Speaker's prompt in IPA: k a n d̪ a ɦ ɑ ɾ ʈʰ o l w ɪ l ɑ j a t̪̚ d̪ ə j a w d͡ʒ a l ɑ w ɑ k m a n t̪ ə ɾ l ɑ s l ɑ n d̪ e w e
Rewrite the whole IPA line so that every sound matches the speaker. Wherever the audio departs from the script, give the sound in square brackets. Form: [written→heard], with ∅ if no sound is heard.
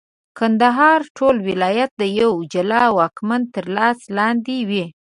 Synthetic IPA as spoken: k a n d̪ a ɦ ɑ ɾ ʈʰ o l w ɪ l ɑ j a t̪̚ d̪ ə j a w d͡ʒ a l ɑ w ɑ k m a n t̪ ə ɾ l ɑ s l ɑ n d̪ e w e